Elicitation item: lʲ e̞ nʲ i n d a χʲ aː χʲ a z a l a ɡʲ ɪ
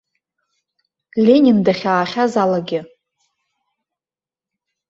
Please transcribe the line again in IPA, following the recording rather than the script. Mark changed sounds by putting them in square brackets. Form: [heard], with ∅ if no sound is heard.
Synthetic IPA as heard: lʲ e̞ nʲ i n d a χʲ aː χʲ a z a l a ɡʲ ɪ